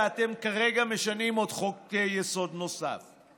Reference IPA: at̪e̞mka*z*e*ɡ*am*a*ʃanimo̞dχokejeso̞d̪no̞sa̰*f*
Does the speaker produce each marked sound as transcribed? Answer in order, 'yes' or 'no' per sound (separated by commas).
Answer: no, yes, no, yes